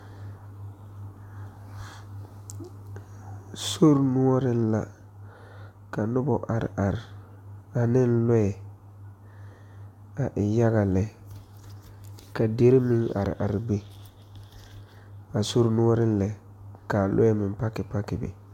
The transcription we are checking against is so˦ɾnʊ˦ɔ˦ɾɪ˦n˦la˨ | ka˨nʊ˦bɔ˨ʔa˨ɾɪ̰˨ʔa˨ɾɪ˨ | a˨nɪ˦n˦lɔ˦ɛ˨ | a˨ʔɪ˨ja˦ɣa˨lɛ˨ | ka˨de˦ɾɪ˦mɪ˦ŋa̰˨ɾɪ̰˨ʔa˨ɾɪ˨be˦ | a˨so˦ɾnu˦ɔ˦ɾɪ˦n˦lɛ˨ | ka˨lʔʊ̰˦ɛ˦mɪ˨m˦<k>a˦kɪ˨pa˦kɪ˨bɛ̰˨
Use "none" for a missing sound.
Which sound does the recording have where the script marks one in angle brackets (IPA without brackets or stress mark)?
p